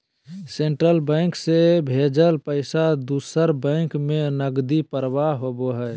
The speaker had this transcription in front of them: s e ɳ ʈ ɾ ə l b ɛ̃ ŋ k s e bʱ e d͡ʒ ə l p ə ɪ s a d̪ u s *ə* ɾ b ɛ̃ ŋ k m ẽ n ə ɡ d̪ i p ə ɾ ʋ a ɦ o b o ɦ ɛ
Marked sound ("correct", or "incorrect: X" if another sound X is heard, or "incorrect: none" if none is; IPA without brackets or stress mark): correct